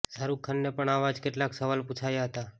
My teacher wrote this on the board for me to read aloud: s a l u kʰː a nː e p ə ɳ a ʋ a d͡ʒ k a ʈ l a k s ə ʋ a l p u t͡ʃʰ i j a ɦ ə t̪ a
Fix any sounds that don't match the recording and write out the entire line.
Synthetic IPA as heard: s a ɾ u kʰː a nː e p ə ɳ a ʋ a d͡ʒ k e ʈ l a k s ə ʋ a l p u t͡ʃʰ a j a ɦ ə t̪ a